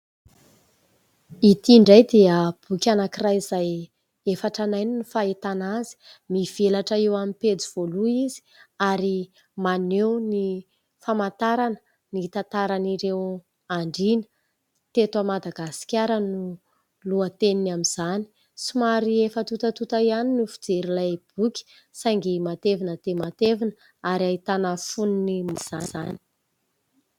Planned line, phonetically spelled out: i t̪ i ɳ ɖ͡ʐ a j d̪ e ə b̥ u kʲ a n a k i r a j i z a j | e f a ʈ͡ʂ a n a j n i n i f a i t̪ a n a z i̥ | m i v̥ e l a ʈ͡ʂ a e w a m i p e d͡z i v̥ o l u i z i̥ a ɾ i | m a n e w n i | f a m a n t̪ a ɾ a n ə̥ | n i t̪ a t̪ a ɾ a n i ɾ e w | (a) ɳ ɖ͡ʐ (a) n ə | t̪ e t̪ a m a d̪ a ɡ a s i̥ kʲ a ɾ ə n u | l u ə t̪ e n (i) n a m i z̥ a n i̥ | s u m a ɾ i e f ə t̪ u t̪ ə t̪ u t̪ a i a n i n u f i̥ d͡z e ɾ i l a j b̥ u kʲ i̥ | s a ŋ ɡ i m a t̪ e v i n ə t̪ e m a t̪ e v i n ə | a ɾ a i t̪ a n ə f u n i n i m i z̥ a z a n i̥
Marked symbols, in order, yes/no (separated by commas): yes, no, yes